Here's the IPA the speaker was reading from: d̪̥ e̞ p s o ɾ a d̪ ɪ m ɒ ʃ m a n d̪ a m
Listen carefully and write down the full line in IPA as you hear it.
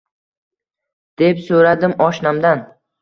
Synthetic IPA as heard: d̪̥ e̞ p s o ɾ a d̪ ɪ m ɒ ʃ n a m d̪ a n